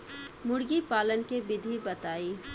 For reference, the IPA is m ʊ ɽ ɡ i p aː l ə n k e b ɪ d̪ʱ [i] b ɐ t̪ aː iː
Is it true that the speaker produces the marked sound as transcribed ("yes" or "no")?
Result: yes